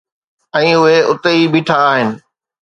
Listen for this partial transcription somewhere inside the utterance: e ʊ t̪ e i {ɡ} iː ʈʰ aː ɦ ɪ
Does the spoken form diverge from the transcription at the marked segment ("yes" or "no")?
yes